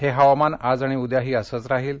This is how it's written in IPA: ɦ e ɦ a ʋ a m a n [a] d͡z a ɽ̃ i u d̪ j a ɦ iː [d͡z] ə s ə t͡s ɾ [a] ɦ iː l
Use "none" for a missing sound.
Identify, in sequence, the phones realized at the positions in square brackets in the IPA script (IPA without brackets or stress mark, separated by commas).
a, none, a